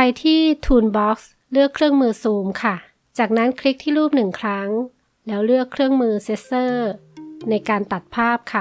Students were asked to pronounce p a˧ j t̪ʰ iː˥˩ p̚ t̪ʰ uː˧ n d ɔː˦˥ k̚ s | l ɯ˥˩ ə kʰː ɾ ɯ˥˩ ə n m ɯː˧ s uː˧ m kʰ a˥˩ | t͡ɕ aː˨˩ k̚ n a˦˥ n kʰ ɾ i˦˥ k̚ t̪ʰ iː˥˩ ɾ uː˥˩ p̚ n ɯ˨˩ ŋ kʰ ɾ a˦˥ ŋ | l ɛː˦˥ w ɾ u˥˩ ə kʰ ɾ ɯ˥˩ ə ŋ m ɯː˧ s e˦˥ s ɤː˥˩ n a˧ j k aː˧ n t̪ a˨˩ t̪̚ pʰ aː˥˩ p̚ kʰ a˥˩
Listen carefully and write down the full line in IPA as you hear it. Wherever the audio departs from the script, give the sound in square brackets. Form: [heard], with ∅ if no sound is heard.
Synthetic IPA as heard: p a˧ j t̪ʰ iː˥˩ [∅] t̪ʰ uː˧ n [b] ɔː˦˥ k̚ s | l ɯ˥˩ ə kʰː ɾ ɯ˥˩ ə [ŋ] m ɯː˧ s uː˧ m kʰ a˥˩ | t͡ɕ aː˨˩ k̚ n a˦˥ n kʰ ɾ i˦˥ k̚ t̪ʰ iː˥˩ ɾ uː˥˩ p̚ n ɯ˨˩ ŋ kʰ ɾ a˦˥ ŋ | l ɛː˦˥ w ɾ [ɯ˥˩] ə kʰ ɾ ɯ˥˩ ə ŋ m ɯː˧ s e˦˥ s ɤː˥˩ n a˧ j k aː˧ n t̪ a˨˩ t̪̚ pʰ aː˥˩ p̚ kʰ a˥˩